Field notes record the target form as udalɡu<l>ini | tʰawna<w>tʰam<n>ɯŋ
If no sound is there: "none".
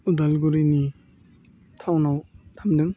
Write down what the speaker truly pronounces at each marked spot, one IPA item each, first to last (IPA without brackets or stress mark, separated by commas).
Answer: ɾ, w, d